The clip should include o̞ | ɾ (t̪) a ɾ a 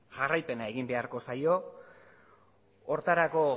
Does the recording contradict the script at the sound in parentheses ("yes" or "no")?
no